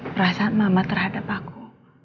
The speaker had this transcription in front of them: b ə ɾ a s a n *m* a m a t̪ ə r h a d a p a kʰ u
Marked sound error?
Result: no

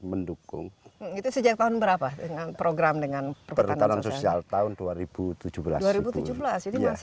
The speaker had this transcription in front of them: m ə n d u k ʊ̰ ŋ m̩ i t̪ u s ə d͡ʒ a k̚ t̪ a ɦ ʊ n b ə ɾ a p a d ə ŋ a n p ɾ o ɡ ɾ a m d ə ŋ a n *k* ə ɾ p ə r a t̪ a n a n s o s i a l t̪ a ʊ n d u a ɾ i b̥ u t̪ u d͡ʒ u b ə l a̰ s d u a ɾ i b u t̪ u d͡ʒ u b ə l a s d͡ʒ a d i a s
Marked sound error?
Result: yes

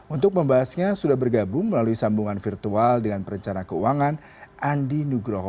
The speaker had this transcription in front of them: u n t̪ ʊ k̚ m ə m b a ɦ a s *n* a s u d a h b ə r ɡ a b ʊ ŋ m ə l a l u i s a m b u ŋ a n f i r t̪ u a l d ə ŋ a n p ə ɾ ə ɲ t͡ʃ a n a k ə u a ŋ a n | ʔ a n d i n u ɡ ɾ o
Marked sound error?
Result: yes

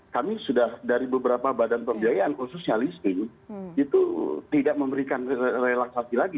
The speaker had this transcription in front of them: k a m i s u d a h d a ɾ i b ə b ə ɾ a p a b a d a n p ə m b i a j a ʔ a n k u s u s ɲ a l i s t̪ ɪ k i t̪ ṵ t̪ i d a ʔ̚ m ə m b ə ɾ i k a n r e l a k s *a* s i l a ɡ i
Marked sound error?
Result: no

